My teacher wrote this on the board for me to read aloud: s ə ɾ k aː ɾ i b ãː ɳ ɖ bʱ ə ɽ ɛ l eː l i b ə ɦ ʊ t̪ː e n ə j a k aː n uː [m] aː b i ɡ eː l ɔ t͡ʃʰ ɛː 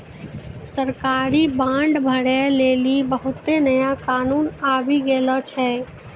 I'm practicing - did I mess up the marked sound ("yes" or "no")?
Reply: yes